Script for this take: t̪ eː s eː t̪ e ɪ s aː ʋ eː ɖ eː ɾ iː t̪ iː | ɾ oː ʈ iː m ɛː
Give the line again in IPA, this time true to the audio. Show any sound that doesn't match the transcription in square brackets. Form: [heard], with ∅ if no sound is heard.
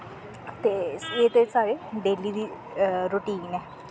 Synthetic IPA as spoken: t̪ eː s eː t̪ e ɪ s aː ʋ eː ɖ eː [l] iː [d̪] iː | ɾ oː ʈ iː [n] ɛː